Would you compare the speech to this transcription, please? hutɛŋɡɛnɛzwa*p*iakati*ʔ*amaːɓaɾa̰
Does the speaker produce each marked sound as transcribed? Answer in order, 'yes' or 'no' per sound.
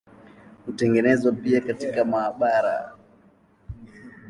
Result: yes, no

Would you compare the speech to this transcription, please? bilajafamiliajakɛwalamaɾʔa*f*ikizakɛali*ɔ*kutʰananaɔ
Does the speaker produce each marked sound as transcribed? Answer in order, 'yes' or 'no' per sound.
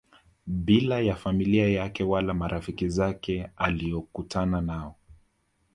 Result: yes, yes

